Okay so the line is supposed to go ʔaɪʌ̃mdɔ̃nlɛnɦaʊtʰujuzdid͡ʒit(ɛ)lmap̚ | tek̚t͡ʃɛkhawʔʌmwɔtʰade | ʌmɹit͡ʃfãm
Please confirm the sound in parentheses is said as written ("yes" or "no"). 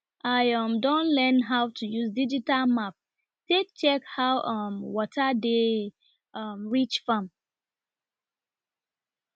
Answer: no